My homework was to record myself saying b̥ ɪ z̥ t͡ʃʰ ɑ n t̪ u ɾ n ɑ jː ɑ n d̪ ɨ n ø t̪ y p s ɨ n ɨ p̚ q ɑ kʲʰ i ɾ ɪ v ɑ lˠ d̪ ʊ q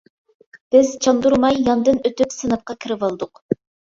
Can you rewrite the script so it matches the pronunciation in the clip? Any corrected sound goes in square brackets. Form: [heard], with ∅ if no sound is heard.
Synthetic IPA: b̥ ɪ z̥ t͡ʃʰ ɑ n [d̪] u ɾ [m] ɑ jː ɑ n d̪ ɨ n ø t̪ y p s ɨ n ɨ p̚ q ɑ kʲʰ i ɾ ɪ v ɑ lˠ d̪ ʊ q